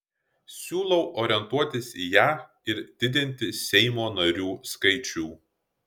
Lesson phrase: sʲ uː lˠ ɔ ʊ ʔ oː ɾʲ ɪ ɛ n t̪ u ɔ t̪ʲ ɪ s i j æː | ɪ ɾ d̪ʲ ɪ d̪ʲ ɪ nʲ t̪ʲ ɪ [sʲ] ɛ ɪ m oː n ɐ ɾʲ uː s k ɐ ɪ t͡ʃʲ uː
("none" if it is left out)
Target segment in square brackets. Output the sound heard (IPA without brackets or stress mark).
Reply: sʲ